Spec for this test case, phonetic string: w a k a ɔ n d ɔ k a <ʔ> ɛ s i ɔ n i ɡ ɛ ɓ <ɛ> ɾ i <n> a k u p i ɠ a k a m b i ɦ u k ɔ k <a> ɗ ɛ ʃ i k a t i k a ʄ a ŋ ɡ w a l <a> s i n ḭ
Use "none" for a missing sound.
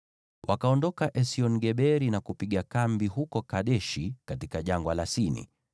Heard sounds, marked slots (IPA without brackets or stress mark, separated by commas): ʔ, ɛ, n, a, a